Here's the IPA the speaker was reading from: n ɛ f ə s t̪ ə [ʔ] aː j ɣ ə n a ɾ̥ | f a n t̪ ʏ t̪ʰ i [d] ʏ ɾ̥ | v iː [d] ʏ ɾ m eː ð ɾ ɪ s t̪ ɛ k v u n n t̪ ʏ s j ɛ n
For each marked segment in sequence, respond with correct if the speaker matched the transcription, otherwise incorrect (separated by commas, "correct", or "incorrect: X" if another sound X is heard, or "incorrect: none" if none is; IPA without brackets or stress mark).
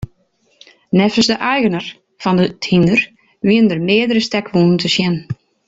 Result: correct, incorrect: n, incorrect: n